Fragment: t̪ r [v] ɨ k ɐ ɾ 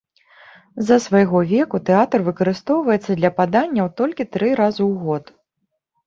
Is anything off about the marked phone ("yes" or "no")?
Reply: no